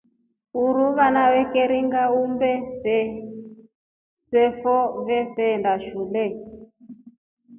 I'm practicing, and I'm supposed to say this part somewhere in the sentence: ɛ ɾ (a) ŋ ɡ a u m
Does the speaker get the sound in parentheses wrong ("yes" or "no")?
yes